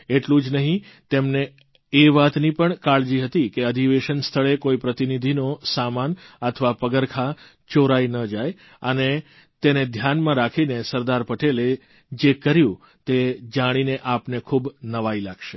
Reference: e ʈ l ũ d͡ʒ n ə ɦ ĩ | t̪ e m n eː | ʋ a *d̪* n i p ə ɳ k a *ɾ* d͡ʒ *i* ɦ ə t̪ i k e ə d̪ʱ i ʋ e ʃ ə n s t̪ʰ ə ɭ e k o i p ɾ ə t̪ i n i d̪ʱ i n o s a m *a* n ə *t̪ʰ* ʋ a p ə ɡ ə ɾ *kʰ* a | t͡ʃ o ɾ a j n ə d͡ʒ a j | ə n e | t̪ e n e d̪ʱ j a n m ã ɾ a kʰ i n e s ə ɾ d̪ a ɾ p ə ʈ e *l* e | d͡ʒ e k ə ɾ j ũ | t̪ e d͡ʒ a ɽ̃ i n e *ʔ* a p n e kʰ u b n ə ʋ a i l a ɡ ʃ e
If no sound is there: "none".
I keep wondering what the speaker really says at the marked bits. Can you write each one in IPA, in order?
t̪, ɭ, i, a, t̪ʰ, kʰ, l, ʔ

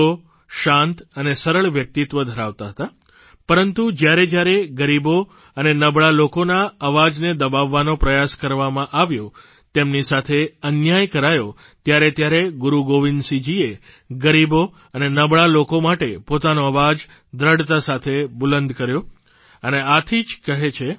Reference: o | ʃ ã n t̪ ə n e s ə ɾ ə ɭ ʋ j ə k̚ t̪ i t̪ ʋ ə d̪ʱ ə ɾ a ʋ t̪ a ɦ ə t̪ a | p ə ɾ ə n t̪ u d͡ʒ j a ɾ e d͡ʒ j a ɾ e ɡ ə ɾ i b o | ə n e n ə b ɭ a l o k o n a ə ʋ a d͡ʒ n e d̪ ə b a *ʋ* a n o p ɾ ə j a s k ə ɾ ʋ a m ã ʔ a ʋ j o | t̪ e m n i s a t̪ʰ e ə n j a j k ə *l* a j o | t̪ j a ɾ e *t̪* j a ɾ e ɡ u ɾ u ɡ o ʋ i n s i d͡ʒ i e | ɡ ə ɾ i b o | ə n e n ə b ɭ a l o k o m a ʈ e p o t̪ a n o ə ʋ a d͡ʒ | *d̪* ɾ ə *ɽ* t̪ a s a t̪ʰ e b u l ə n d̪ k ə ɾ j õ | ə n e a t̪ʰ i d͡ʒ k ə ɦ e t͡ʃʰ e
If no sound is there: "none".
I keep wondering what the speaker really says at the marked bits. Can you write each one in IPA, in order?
ʋː, ɾ, t̪, d̪, ɽ

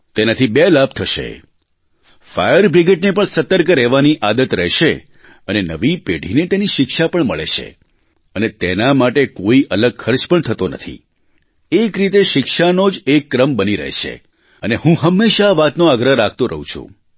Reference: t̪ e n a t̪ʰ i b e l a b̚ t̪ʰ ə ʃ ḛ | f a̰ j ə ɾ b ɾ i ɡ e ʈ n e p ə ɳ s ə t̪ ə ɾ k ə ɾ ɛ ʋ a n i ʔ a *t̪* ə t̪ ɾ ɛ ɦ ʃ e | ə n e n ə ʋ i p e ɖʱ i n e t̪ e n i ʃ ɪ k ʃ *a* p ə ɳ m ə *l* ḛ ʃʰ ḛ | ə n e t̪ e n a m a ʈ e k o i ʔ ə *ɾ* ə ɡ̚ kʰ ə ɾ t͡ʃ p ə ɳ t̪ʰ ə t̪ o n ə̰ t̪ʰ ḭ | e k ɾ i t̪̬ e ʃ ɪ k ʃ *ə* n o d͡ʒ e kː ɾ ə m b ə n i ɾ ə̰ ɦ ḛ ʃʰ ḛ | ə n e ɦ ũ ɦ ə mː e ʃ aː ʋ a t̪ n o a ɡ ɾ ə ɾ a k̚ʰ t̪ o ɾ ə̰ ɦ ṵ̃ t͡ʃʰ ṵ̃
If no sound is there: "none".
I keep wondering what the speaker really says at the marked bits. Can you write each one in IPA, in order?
d̪, a, ɭ, l, a

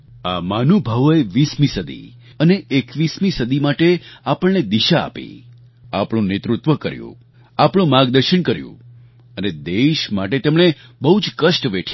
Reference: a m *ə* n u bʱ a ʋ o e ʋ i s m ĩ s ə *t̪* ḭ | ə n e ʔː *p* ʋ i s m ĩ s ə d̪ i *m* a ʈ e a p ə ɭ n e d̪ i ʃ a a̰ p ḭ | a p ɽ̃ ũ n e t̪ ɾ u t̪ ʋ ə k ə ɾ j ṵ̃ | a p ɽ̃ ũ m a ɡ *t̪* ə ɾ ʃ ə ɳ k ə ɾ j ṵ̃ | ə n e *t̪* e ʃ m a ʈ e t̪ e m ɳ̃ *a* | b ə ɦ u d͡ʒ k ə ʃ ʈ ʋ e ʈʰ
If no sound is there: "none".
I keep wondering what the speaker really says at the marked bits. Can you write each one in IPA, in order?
a, d̪, k, m, d̪, d̪, e

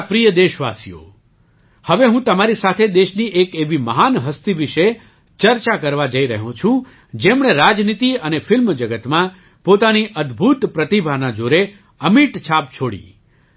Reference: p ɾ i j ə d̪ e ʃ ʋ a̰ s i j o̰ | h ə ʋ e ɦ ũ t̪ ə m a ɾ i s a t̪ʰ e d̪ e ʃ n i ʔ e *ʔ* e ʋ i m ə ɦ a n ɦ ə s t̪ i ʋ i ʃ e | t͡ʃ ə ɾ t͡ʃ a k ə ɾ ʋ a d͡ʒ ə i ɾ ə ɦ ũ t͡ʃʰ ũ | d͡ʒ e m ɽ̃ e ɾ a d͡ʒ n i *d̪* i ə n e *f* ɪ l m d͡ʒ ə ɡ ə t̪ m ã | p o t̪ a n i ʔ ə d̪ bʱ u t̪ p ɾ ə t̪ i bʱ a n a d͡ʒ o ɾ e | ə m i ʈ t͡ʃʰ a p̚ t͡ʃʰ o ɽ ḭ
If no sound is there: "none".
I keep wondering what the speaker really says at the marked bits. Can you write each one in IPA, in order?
k, t̪, f

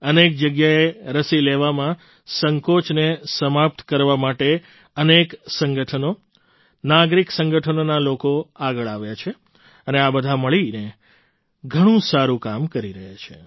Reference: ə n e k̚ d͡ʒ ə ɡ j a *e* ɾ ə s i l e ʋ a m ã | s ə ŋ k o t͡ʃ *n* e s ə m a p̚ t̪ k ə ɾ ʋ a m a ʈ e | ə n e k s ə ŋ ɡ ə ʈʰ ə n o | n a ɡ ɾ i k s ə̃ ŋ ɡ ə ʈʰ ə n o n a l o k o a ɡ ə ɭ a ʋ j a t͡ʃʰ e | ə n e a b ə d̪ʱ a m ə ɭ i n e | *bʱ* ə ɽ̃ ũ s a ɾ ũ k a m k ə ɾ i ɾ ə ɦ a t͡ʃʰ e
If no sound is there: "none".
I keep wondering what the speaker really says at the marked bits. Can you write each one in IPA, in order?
e, n, ɡʱ

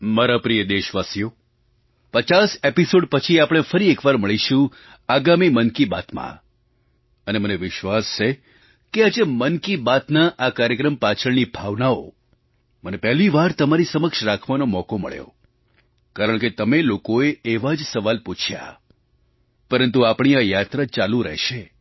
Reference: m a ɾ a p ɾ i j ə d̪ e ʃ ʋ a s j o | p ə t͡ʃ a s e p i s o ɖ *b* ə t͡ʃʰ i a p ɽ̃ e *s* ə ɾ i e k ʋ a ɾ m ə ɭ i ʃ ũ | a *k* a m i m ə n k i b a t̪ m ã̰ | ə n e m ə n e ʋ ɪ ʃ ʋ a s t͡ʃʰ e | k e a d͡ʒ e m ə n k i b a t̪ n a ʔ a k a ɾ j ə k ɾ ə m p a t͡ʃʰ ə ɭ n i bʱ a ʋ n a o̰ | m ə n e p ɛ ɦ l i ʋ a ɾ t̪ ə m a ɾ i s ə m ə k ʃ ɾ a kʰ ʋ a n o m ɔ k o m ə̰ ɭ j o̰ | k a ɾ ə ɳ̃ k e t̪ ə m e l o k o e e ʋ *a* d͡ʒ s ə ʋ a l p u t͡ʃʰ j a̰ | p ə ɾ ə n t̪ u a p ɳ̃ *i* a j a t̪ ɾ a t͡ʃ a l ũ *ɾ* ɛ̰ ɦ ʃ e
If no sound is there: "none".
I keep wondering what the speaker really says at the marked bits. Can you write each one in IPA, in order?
p, f, ɡ, a, i, ɾ

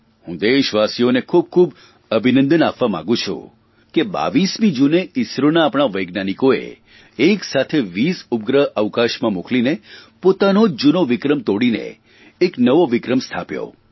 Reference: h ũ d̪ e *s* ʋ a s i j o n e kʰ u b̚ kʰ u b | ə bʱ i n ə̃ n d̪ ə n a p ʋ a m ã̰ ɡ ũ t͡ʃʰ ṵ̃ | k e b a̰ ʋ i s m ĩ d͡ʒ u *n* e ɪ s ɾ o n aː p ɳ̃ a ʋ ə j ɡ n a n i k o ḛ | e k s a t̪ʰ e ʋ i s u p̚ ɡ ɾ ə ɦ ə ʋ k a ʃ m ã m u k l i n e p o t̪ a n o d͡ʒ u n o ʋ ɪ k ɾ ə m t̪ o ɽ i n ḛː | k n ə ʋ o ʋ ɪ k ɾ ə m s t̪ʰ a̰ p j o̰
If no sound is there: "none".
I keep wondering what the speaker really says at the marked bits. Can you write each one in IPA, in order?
ʃ, n

